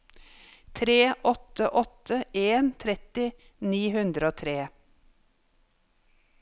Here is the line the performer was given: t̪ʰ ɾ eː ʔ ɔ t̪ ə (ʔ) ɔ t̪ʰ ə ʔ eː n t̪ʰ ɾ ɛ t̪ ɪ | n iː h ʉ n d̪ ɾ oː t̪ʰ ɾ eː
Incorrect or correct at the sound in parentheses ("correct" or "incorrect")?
correct